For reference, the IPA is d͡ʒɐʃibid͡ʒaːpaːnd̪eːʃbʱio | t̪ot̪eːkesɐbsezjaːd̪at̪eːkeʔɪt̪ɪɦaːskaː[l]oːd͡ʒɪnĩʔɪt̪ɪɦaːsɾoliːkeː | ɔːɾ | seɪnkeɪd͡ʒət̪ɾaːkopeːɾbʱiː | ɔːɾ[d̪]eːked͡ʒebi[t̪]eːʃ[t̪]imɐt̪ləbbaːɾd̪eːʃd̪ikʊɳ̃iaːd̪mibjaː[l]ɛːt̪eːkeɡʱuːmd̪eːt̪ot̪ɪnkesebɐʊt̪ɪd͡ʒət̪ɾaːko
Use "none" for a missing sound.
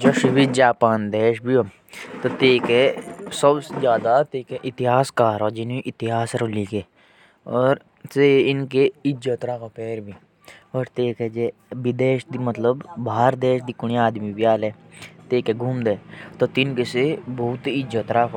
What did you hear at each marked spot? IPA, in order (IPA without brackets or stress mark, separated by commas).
ɾ, t̪, d̪, d̪, l